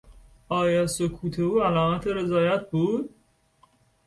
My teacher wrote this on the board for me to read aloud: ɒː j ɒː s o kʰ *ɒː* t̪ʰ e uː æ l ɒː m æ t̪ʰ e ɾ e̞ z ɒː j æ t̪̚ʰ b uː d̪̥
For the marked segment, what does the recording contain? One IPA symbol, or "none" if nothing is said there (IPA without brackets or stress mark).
uː